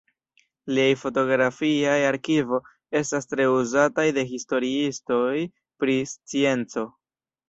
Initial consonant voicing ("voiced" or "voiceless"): voiced